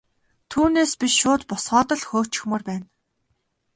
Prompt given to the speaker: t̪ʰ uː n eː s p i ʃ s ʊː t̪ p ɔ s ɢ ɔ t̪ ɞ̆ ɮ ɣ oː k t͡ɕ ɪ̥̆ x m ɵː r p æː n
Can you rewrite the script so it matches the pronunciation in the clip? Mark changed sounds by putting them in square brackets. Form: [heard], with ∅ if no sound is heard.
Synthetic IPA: t̪ʰ uː n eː s p i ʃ [ʃ] ʊː t̪ p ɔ s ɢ [ɔː] t̪ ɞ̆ ɮ [x] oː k t͡ɕ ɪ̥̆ x m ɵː r p æː n